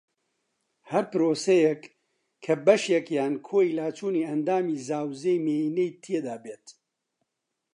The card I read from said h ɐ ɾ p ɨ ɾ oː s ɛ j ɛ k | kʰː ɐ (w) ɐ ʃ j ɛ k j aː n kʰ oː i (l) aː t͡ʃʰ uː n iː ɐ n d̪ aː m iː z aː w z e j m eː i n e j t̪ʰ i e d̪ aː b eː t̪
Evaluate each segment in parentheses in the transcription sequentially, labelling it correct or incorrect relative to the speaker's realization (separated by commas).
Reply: incorrect, correct